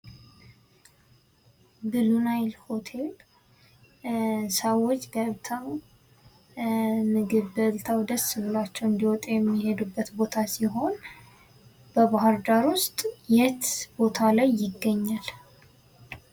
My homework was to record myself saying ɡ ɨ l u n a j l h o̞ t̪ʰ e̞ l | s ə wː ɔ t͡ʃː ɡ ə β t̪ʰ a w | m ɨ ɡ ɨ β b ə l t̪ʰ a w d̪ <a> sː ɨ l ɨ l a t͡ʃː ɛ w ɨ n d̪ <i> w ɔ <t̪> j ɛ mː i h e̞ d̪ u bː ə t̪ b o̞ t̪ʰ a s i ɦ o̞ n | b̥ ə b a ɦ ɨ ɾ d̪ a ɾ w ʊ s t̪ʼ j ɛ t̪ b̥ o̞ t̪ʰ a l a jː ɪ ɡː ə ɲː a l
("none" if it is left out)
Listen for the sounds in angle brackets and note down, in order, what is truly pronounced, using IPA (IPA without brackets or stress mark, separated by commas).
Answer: ə, i, t̪ʼ